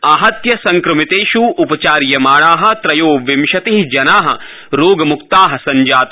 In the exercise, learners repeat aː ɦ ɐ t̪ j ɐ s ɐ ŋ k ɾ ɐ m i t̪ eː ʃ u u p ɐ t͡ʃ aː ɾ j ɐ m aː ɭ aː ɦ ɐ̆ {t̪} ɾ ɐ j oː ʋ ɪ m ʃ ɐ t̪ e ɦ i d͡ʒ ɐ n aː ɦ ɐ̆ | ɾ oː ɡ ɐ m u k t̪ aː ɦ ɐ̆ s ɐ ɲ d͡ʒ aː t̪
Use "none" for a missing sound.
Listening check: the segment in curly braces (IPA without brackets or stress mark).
t̪